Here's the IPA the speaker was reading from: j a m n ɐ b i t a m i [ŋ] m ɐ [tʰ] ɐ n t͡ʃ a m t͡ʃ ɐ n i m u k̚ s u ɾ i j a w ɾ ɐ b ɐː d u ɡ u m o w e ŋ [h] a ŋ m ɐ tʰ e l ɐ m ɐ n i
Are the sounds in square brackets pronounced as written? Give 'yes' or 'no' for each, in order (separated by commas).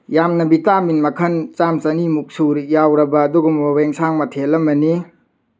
no, no, no